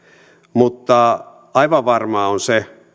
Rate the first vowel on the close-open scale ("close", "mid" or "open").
close